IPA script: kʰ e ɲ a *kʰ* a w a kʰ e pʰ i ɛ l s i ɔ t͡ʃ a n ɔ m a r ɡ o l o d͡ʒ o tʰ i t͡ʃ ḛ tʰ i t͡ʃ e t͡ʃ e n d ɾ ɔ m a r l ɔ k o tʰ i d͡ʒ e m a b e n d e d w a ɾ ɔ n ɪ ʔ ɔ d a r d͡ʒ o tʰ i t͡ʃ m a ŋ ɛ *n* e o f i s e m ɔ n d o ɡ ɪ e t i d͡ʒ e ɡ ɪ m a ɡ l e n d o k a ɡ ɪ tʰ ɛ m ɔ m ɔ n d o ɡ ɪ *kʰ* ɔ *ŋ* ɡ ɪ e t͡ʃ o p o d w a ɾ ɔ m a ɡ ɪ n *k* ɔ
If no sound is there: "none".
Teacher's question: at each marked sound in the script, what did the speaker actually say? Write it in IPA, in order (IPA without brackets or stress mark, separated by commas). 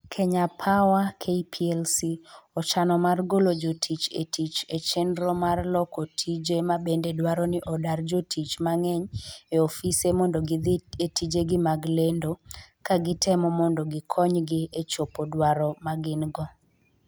pʰ, ɲ, kʰ, ɲ, ɡ